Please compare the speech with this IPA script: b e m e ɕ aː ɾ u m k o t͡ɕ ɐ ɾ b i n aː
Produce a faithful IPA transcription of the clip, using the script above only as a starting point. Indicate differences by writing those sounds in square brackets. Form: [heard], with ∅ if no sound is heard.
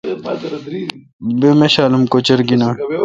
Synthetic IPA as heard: b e m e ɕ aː [l] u m k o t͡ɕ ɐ ɾ [ɡ] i n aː